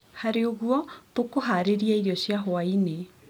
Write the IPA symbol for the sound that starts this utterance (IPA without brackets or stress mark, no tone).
h